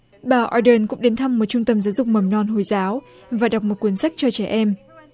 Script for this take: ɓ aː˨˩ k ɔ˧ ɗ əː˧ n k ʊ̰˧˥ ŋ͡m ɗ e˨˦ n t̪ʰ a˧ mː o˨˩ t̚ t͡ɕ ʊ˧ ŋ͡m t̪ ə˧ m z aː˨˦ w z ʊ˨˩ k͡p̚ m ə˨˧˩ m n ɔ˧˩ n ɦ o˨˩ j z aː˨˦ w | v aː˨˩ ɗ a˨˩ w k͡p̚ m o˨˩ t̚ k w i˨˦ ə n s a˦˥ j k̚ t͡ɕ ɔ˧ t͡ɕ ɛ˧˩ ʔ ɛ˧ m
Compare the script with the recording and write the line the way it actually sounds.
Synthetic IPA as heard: ɓ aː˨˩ ʔ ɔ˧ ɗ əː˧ n k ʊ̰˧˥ ŋ͡m ɗ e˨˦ n t̪ʰ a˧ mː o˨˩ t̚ t͡ɕ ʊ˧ ŋ͡m t̪ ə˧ m z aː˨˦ w z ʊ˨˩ k͡p̚ m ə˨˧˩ m n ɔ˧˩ n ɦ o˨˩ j z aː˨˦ w | v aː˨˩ ɗ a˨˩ w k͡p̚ m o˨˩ t̚ k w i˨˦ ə n s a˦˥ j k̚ t͡ɕ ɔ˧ t͡ɕ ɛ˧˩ ʔ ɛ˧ m